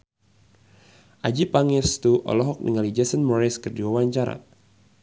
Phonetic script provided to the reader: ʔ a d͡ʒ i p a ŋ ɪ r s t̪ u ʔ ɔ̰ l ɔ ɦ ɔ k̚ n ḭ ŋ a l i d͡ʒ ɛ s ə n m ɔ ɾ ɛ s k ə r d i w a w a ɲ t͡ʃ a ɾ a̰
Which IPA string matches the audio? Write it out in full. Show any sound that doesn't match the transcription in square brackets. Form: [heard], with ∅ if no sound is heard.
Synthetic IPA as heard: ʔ a d͡ʒ i p a ŋ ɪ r s t̪ u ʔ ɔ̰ l ɔ ɦ ɔ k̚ n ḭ ŋ a l i d͡ʒ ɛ s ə n m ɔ ɾ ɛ s k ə r d i w a w a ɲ t͡ʃ a ɾ a̰